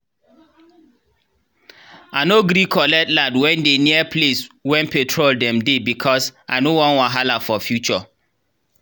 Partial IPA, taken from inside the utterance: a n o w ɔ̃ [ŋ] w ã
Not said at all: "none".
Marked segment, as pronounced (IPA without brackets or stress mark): n